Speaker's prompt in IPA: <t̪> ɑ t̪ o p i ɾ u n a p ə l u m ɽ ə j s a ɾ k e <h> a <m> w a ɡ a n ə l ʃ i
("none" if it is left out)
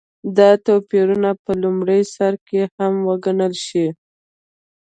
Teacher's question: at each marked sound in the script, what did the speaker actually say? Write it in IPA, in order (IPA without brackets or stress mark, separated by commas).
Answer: d̪, h, m